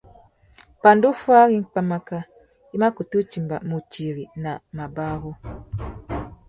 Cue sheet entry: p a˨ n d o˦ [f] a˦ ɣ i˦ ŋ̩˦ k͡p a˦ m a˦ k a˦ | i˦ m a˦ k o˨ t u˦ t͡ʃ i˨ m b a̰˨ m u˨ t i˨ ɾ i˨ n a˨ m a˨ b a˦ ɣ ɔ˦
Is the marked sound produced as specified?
yes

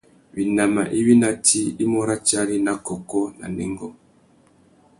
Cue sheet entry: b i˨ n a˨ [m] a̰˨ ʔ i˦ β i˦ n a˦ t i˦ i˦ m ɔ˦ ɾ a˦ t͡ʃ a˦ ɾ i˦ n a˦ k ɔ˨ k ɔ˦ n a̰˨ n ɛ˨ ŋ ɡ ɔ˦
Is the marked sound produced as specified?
yes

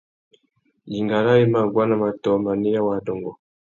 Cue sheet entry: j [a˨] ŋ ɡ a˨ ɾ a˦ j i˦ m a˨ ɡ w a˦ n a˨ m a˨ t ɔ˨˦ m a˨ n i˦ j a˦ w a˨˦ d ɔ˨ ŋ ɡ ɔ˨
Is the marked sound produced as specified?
no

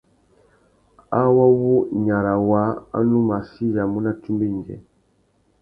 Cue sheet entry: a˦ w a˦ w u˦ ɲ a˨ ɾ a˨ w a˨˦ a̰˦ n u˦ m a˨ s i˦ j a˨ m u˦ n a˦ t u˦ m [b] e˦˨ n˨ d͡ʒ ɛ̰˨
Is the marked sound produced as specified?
yes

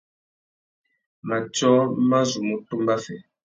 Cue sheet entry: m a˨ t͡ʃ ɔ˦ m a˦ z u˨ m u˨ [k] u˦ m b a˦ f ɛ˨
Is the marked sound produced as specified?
no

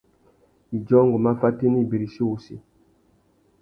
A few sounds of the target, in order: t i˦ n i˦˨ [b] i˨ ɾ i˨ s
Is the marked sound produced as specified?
yes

